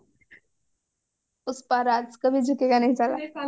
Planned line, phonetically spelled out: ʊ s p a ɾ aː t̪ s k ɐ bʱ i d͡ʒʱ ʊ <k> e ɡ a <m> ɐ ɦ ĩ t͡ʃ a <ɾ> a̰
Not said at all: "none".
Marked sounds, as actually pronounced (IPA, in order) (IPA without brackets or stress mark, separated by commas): k, n, l